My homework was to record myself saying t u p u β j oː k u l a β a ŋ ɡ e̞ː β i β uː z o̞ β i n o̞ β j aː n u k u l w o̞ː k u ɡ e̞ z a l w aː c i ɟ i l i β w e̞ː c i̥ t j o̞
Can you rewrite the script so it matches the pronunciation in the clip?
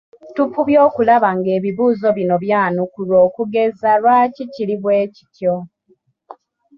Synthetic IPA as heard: t u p u β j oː k u l a β a ŋ ɡ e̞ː β i β uː z o̞ β i n o̞ β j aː n u k u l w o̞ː k u ɡ e̞ z a l w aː c i c i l i β w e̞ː c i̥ t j o̞